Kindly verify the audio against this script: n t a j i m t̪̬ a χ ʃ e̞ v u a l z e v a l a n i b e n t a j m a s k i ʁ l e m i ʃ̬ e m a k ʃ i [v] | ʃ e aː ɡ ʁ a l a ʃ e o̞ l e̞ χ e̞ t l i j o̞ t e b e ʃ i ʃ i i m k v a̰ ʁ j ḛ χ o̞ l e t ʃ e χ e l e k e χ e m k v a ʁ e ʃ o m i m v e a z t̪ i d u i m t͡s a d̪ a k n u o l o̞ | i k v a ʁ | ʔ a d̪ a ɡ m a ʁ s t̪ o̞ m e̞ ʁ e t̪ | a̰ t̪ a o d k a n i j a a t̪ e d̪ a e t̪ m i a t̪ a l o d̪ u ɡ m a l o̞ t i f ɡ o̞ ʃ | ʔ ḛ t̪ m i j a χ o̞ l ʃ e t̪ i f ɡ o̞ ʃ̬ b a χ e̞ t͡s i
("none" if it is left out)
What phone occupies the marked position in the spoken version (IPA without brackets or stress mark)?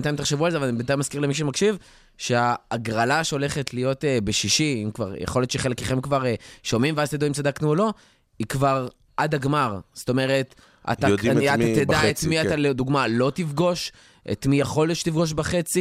v